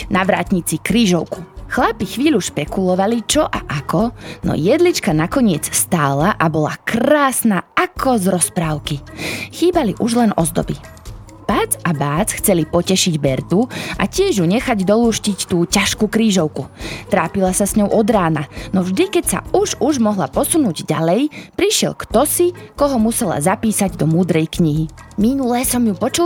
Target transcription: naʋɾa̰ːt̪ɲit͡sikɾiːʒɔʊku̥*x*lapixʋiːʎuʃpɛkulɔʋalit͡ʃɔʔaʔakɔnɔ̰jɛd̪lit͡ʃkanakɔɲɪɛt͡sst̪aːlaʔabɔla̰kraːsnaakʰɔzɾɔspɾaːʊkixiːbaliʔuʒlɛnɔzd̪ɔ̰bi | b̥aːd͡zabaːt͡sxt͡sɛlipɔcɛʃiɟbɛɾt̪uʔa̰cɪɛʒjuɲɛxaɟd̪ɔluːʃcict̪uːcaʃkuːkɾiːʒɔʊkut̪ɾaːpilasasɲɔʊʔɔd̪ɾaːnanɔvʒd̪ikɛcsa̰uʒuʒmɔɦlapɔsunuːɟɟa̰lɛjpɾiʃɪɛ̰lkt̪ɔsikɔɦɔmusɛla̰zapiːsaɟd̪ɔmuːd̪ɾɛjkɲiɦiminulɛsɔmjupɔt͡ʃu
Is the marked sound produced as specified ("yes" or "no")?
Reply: yes